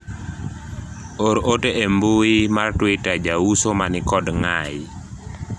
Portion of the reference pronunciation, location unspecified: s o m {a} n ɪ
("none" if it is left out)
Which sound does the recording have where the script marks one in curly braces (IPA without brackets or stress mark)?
a